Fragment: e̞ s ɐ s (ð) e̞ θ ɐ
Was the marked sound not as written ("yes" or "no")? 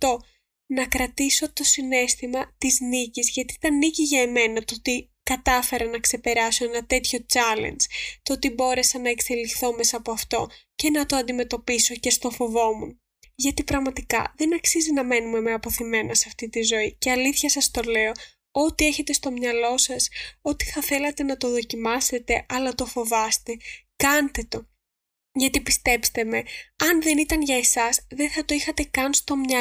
no